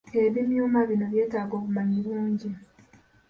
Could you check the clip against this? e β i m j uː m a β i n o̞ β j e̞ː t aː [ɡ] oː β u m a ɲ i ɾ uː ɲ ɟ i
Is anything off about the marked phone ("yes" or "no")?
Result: no